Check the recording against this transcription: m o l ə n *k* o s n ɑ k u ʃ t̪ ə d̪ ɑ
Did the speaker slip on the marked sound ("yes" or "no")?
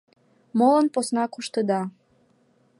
yes